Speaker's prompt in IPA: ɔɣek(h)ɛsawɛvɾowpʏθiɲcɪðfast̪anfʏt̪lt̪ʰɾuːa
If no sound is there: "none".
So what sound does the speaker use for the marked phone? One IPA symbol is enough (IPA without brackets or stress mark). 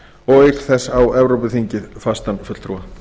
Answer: θ